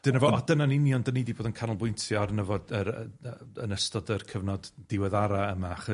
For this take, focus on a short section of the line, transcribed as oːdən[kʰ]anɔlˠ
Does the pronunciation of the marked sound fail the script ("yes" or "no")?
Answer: no